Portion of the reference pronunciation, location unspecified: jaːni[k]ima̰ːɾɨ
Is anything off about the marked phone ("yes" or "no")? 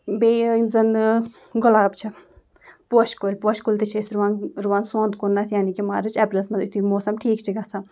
no